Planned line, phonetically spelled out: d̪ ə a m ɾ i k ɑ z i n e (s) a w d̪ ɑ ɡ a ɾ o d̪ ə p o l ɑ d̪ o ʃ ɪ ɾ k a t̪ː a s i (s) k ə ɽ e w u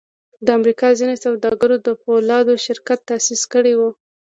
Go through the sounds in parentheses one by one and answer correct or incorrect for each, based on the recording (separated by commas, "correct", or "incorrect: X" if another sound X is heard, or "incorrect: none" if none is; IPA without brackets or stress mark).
correct, correct